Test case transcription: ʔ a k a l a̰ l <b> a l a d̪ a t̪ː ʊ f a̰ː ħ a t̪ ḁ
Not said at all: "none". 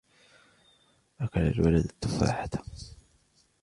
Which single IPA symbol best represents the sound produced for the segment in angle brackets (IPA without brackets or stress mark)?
w